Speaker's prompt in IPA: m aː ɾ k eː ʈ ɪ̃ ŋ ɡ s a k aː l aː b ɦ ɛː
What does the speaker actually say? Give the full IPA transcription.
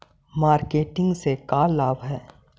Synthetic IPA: m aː ɾ k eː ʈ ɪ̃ ŋ ɡ s e k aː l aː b ɦ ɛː